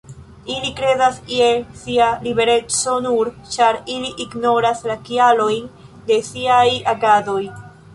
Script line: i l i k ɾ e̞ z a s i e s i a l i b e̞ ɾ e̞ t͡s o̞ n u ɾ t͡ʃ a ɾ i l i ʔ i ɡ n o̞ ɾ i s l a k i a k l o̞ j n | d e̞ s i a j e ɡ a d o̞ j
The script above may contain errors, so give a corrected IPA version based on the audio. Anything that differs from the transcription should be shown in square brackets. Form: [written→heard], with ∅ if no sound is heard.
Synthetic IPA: i l i k ɾ e̞ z a s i e s i a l i b e̞ ɾ e̞ t͡s o̞ n u ɾ t͡ʃ a ɾ i l i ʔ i ɡ n o̞ ɾ [i→a] s l a k i a [k→∅] l o̞ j n | d e̞ s i a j [e→a] ɡ a d o̞ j